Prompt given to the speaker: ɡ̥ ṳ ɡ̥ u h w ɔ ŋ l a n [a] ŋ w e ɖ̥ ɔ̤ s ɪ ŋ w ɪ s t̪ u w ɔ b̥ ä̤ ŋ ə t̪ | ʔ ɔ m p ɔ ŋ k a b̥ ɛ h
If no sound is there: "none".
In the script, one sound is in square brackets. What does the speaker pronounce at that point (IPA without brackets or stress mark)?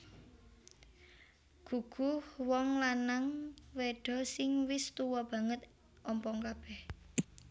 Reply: a